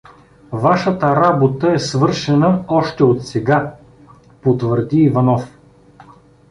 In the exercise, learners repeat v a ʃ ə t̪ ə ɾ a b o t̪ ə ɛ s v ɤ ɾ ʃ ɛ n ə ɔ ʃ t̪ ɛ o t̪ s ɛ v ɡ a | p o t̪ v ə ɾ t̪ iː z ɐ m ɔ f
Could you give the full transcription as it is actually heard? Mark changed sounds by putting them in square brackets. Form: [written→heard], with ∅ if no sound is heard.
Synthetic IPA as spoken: v a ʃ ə t̪ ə ɾ a b o t̪ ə ɛ s v ɤ ɾ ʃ ɛ n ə ɔ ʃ t̪ ɛ o t̪ s ɛ [v→∅] ɡ a | p o t̪ v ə ɾ [t̪→d̪] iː [z→v] ɐ [m→n] ɔ f

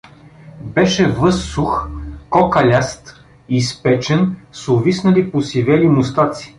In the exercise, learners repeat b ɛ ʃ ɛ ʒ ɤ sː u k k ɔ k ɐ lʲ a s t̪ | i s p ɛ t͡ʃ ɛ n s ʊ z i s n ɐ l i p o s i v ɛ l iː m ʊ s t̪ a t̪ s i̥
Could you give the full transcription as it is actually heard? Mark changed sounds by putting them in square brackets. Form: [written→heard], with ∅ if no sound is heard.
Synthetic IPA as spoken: b ɛ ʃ ɛ [ʒ→v] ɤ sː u [k→x] k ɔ k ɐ lʲ a s t̪ | i s p ɛ t͡ʃ ɛ n s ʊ [z→v] i s n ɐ l i p o s i v ɛ l [iː→i] m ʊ s t̪ a t̪ s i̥

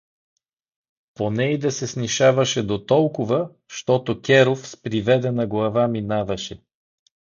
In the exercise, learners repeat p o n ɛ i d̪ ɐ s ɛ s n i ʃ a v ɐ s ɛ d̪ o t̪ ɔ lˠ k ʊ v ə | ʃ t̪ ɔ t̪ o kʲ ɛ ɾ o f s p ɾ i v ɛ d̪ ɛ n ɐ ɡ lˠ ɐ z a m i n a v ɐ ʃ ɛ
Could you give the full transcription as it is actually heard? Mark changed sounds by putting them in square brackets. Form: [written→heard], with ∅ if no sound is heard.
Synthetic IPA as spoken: p o n ɛ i d̪ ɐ s ɛ s n i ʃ a v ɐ [s→ʃ] ɛ d̪ o t̪ ɔ lˠ k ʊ v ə | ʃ t̪ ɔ t̪ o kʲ ɛ ɾ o f s p ɾ i v ɛ d̪ ɛ n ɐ ɡ lˠ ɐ [z→v] a m i n a v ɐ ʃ ɛ

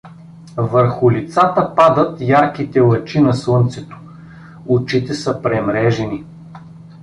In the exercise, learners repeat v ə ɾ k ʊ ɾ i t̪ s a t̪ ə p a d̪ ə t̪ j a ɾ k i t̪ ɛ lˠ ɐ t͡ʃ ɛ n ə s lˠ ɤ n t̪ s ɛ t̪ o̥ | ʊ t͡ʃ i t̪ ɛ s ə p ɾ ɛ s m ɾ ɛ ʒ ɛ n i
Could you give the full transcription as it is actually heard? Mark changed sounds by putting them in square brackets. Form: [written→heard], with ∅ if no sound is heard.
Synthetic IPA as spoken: v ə ɾ [k→x] ʊ [ɾ→l] i t̪ s a t̪ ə p a d̪ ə t̪ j a ɾ k i t̪ ɛ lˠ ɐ t͡ʃ [ɛ→i] n [ə→ɐ] s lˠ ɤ n t̪ s ɛ t̪ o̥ | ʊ t͡ʃ i t̪ ɛ s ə p ɾ ɛ [s→∅] m ɾ ɛ ʒ ɛ n i

